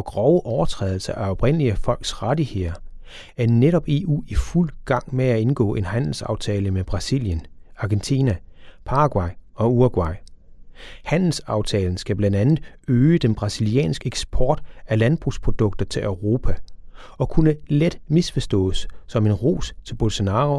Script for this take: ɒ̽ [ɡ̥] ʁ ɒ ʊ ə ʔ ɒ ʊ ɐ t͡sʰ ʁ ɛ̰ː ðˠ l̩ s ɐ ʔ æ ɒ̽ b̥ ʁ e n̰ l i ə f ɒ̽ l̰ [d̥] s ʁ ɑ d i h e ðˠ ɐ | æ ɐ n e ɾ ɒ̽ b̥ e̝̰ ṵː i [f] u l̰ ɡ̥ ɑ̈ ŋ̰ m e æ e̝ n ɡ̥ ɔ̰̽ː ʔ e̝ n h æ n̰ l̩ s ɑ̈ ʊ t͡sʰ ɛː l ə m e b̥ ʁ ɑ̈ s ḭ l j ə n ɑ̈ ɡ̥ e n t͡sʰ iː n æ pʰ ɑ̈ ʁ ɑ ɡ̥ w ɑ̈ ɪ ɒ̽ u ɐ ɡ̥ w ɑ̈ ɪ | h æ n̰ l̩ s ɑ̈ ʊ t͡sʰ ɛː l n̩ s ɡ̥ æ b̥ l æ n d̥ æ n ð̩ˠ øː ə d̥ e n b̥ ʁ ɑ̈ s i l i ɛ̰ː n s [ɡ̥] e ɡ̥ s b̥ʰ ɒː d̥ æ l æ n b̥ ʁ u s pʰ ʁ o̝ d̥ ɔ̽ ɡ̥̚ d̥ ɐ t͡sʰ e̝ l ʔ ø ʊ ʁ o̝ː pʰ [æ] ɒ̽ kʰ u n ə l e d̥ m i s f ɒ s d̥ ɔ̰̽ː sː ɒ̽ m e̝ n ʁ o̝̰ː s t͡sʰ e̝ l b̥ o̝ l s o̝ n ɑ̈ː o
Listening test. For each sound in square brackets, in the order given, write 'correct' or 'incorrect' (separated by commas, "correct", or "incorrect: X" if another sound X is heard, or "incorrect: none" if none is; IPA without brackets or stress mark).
correct, incorrect: ɡ̥, correct, correct, correct